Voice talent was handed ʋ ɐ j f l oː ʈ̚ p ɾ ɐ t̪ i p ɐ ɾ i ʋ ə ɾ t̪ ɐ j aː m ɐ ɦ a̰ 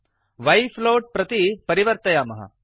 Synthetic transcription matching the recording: ʋ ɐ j f l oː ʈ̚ p ɾ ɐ t̪ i p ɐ ɾ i ʋ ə ɾ t̪ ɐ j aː m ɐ ɦ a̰